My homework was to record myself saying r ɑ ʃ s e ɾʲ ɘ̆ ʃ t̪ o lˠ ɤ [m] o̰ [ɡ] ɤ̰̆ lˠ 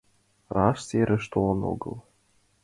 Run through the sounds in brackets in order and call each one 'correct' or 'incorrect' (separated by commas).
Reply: incorrect, correct